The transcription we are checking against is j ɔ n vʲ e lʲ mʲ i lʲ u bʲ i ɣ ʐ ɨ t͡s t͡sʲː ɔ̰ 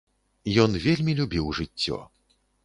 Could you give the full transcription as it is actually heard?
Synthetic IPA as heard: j ɔ n vʲ e lʲ mʲ i lʲ u bʲ i w ʐ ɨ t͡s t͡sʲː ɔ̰